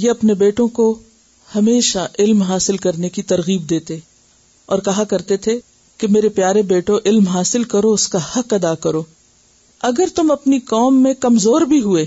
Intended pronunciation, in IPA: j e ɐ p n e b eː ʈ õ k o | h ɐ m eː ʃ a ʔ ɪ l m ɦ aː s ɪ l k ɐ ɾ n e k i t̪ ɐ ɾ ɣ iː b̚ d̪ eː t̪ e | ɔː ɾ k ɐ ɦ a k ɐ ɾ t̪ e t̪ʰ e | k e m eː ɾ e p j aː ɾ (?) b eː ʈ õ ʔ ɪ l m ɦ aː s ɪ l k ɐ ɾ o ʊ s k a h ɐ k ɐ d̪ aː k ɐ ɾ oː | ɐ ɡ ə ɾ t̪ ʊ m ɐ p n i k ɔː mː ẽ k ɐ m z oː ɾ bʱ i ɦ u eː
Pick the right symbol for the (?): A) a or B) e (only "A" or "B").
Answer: B